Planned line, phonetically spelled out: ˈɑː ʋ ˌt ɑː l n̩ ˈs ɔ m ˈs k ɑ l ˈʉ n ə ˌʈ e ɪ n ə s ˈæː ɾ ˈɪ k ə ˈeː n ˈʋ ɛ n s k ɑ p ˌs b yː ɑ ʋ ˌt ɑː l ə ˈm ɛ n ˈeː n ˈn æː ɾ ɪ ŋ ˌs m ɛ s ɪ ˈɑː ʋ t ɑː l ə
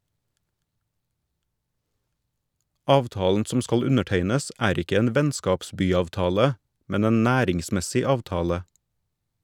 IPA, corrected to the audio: ˈɑː ʋ ˌt ɑː l n̩ ˈs ɔ m ˈs k ɑ l ˈʉ n ə ˌʈ e ɪ n ə s ˈæː ɾ ˈɪ k ə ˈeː n ˈʋ ɛ n s k ɑ p ˌs b yː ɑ ʋ ˌt ɑː l ə ˈm ɛ n ˈeː n ˈn æː ɾ ɪ ŋ ˌs m ɛ s ɪ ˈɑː ʋ t ɑː l ə

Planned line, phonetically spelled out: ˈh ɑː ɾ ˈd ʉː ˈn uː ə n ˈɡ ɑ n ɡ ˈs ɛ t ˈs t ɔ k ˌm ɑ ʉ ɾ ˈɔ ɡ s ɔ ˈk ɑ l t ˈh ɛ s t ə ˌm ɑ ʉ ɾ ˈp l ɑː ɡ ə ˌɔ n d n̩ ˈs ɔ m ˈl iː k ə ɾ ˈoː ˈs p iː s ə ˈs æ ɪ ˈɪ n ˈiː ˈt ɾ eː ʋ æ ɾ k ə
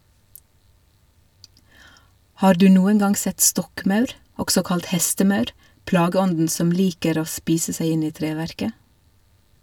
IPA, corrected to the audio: ˈh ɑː ɾ ˈd ʉː ˈn uː ə n ˈɡ ɑ n ɡ ˈs ɛ t ˈs t ɔ k ˌm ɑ ʉ ɾ ˈɔ ɡ s ɔ ˈk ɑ l t ˈh ɛ s t ə ˌm ɑ ʉ ɾ ˈp l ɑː ɡ ə ˌɔ n d n̩ ˈs ɔ m ˈl iː k ə ɾ ˈoː ˈs p iː s ə ˈs æ ɪ ˈɪ n ˈiː ˈt ɾ eː ʋ æ ɾ k ə

